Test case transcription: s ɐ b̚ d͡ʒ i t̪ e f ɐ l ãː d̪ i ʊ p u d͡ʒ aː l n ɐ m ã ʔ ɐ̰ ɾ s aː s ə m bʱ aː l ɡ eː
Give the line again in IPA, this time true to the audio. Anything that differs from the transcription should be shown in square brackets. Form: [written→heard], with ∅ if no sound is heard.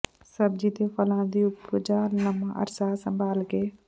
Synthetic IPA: s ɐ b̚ d͡ʒ i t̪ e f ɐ l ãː d̪ i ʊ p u d͡ʒ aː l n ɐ m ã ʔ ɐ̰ ɾ s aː s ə m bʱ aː l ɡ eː